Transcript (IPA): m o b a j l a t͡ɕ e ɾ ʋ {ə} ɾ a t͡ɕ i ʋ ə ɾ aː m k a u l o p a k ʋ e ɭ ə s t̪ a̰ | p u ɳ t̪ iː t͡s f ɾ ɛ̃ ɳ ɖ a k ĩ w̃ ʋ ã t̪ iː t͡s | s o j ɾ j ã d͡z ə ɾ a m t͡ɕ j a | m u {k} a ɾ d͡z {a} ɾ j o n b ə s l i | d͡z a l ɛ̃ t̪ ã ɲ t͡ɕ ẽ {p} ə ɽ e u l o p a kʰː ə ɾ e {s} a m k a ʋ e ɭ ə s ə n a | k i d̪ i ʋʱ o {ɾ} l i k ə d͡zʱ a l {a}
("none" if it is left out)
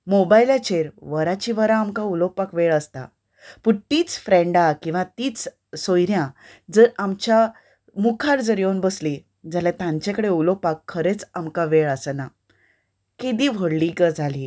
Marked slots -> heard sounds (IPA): ə, kʰ, ə, k, t͡s, ɽ, i

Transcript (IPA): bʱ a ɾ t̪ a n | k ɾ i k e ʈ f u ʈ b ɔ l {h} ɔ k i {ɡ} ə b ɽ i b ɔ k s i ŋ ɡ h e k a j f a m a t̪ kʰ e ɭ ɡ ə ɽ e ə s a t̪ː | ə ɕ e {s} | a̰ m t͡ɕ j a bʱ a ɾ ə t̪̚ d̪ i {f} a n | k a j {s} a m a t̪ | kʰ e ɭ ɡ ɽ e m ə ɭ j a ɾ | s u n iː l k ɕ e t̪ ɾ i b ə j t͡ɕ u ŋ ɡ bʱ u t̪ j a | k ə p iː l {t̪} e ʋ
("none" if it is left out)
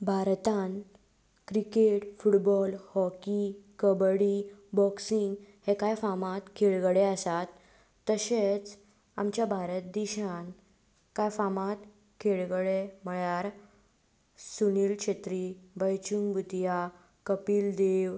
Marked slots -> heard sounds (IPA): h, k, t͡s, ɕ, f, d̪

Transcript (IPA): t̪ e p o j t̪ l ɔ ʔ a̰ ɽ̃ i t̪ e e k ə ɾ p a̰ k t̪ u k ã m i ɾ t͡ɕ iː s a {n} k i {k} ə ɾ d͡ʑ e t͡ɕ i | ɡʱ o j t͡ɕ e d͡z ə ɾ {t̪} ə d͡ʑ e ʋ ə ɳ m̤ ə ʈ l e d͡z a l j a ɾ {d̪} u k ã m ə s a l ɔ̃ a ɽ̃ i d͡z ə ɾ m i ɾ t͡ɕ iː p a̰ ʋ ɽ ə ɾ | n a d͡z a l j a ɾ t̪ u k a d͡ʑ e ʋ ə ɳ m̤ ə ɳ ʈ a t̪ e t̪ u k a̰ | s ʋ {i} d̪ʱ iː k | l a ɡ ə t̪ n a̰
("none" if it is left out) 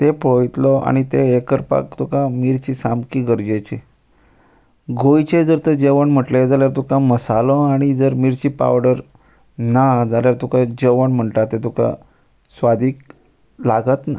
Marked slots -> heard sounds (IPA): m, ɡ, t̪, t̪, a

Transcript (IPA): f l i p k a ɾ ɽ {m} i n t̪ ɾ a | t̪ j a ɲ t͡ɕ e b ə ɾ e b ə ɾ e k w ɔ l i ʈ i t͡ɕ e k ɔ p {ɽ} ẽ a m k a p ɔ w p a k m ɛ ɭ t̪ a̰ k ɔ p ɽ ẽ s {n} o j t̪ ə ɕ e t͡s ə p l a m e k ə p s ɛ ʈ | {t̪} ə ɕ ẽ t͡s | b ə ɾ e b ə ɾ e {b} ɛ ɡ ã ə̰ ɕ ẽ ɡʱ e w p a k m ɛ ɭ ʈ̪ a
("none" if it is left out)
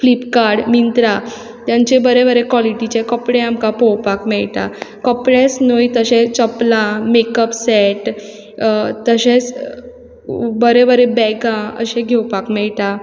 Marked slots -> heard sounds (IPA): m, ɽ, n, t̪, b

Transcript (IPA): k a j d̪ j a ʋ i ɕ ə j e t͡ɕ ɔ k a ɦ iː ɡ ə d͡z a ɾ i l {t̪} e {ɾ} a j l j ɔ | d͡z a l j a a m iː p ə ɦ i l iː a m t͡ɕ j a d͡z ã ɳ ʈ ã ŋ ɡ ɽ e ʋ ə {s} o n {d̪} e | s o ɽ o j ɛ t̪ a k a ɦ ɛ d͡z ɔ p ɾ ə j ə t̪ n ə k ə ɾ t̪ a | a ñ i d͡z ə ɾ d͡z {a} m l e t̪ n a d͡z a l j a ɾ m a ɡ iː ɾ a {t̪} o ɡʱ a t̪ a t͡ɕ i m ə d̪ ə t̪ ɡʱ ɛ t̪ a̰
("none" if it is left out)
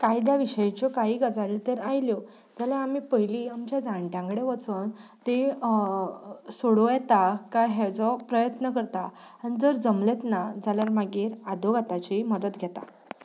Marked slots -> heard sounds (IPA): t̪, ɾ, t͡s, t̪, ə, d̪

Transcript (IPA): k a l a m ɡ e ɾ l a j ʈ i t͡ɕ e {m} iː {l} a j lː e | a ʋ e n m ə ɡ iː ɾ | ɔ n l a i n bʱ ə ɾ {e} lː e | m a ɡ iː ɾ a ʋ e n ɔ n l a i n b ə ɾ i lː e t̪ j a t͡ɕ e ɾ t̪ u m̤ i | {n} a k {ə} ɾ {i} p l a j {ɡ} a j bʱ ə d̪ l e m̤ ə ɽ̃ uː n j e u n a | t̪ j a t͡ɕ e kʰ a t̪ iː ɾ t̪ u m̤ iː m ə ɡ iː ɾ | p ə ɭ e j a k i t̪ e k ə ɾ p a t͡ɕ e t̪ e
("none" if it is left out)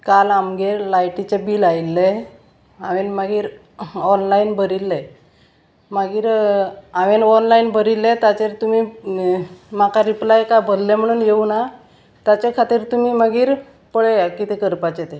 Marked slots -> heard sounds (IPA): b, l, i, m, a, i, k

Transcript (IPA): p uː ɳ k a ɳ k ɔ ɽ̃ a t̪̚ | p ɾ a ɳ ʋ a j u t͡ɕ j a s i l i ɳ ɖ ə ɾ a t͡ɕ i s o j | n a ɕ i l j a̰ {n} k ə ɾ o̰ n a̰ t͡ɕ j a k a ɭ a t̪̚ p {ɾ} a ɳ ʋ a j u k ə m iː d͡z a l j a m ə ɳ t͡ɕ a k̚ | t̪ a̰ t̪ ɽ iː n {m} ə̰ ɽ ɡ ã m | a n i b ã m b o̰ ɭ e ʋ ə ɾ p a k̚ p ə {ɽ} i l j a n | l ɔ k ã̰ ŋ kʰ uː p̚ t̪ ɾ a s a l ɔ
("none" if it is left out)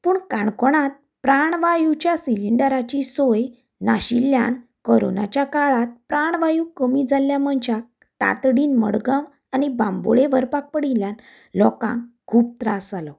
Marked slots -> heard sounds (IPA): n, ɾ, m, ɽ

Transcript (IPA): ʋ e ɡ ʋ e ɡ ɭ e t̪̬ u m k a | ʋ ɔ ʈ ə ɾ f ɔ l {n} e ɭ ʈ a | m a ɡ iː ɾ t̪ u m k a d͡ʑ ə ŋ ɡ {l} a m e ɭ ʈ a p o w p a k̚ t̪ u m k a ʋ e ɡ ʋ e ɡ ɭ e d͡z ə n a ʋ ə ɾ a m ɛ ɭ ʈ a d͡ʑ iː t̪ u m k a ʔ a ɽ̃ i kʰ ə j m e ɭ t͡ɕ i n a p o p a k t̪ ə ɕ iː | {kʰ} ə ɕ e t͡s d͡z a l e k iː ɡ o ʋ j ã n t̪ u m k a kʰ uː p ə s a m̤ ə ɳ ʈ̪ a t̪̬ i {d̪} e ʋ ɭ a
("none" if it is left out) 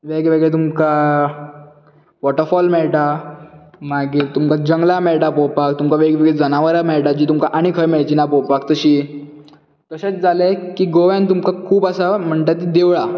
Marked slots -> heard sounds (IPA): m, l, k, d̪

